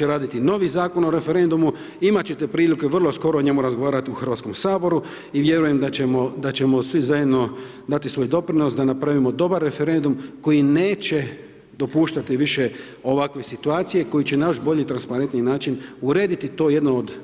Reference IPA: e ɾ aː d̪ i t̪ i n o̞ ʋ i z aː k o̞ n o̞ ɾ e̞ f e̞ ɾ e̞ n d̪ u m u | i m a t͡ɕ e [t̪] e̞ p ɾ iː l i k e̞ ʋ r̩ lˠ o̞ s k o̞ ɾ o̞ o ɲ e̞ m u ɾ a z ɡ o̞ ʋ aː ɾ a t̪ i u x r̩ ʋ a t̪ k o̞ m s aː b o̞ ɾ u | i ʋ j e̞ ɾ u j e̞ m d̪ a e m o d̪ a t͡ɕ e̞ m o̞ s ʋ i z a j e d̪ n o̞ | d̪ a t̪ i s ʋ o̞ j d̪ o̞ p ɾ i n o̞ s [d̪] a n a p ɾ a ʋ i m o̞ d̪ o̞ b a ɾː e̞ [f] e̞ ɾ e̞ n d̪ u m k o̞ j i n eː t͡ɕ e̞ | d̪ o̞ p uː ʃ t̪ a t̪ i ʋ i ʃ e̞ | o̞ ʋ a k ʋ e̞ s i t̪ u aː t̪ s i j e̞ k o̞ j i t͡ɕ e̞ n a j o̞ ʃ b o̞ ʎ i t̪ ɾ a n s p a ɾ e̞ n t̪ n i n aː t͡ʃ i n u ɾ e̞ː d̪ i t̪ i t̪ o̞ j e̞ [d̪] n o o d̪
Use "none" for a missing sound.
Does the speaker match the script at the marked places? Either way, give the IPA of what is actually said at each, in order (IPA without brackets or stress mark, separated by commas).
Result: t̪, d̪, f, d̪